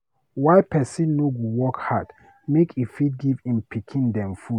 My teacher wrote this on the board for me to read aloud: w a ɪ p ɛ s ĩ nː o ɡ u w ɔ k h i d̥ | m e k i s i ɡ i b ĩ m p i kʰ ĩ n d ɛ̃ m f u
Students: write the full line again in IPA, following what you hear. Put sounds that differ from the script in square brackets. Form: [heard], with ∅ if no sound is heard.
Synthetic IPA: w a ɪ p ɛ s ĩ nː o ɡ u w ɔ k h [a] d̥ | m e k i [f] i ɡ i [v] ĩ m p i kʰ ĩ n d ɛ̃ m f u